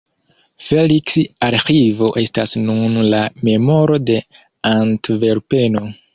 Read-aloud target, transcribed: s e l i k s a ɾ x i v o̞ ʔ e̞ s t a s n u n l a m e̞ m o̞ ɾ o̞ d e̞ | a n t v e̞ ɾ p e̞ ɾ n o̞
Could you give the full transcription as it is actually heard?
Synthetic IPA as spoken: f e l i k s a ɾ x i v o̞ ʔ e̞ s t a s n u n l a m e̞ m o̞ ɾ o̞ d e̞ | a n t v e̞ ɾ p e̞ n o̞